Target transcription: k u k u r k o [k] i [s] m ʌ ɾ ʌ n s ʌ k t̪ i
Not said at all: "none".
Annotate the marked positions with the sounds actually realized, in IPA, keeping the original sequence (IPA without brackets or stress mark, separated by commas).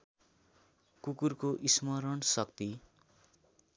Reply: ʔ, s